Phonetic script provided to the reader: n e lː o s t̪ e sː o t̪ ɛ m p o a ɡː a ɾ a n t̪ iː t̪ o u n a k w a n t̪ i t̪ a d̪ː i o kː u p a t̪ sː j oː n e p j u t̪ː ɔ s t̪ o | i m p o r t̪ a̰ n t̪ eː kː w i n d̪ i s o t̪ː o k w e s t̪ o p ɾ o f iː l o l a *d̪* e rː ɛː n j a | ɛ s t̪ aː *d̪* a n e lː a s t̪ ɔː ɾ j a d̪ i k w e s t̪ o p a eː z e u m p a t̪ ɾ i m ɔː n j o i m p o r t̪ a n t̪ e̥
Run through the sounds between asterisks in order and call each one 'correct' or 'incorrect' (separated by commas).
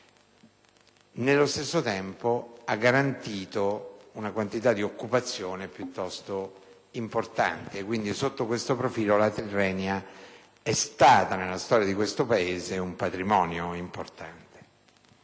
incorrect, incorrect